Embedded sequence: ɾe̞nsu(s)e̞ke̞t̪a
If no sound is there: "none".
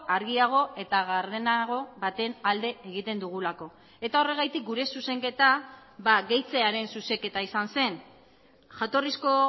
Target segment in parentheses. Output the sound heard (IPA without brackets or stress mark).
s